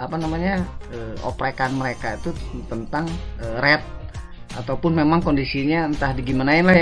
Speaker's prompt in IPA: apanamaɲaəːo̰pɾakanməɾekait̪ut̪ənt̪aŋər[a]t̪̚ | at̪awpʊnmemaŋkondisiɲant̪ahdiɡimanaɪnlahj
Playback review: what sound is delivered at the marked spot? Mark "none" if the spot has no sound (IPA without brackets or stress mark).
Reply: ɛ